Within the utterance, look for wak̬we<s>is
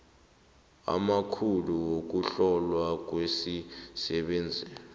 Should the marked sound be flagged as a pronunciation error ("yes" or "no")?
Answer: no